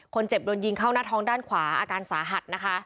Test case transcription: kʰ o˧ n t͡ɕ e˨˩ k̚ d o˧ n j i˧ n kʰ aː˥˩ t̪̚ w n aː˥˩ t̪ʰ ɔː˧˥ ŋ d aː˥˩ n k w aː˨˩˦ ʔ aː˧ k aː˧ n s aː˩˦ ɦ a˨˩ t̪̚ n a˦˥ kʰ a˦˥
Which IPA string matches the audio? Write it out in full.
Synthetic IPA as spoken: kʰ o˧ n t͡ɕ e˨˩ p̚ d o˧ n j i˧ ŋ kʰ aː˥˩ w n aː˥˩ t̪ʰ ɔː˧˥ ŋ d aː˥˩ n kʰ w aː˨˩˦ ʔ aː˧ k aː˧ n s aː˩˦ ɦ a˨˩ t̪̚ n a˦˥ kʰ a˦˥